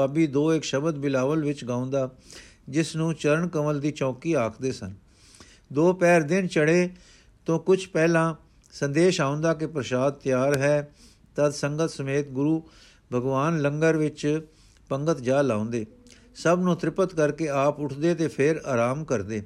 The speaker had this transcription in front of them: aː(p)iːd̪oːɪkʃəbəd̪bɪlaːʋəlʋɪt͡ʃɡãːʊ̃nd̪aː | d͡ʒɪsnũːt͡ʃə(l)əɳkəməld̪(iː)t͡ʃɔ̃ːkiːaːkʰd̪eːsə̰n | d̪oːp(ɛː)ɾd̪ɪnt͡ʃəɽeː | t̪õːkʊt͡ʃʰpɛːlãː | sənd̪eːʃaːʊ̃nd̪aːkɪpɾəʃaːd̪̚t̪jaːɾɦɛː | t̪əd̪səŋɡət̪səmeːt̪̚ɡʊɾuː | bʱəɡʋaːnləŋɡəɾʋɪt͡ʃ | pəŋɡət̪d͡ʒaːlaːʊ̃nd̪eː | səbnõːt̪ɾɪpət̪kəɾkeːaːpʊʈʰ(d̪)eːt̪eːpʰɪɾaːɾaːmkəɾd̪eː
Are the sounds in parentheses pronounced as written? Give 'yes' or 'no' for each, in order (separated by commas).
no, no, yes, yes, yes